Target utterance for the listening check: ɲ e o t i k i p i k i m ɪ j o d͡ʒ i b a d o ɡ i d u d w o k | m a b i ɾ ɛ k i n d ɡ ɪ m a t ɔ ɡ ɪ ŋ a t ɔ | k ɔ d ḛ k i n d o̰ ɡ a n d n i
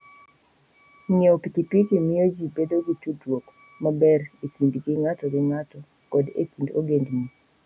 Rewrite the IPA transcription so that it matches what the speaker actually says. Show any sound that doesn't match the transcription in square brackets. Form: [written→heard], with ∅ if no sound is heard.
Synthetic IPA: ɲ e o [t→p] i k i p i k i m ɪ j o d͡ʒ i b [a→e] d o ɡ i [d→t] u d w o k | m a b [i→ɛ] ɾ [ɛ→e] k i n d ɡ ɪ [m→ŋ] a t ɔ ɡ ɪ ŋ a t ɔ | k ɔ d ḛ k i n d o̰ ɡ [a→e] n d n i